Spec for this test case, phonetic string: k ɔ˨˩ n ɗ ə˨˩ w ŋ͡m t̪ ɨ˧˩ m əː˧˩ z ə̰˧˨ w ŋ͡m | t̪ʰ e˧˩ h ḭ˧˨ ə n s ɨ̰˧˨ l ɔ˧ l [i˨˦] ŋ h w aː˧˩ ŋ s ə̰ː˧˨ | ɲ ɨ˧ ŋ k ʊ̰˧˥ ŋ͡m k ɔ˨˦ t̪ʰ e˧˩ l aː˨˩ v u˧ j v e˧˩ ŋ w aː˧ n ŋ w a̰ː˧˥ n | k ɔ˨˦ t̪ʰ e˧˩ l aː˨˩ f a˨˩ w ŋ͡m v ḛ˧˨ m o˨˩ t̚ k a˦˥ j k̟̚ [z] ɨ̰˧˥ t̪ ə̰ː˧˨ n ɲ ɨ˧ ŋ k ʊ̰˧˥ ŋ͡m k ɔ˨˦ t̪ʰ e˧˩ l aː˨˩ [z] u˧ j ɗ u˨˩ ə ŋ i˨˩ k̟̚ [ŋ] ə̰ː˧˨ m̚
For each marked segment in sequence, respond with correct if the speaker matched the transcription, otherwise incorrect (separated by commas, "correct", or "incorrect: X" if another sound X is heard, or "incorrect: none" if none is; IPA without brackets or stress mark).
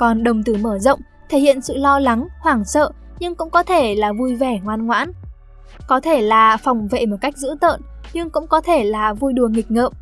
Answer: incorrect: a˨˦, correct, incorrect: v, correct